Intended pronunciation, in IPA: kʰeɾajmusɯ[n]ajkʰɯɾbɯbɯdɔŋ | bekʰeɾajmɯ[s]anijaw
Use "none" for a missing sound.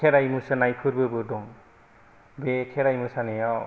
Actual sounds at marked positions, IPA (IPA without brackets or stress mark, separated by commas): n, s